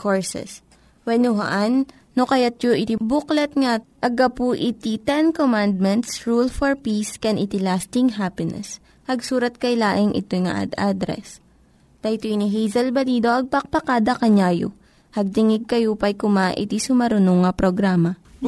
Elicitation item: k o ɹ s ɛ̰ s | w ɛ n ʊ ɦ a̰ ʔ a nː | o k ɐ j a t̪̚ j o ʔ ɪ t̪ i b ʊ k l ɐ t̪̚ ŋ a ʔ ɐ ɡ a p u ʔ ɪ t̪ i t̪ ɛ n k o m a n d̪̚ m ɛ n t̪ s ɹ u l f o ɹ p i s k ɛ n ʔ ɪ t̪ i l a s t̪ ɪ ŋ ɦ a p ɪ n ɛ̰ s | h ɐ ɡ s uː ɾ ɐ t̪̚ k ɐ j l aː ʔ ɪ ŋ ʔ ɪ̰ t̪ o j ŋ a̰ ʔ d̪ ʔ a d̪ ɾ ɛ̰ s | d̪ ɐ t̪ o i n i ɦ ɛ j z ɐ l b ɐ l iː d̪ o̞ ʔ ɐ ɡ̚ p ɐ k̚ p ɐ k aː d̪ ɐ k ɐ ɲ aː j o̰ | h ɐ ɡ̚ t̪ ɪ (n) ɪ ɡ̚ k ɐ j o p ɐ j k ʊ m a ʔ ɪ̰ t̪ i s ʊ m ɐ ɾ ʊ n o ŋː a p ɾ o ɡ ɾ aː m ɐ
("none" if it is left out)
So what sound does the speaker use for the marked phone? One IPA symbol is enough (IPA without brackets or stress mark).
ŋ